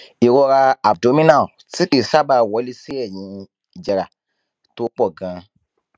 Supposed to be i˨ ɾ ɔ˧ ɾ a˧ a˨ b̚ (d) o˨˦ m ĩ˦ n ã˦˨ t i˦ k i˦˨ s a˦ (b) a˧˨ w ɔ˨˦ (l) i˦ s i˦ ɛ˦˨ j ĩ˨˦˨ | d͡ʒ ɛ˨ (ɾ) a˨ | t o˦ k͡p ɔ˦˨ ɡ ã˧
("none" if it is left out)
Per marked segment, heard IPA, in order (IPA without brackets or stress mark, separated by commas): d, b, l, ɾ